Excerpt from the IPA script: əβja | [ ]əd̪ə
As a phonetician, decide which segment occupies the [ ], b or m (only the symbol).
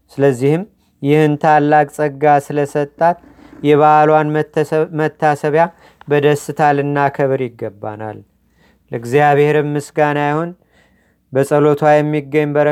b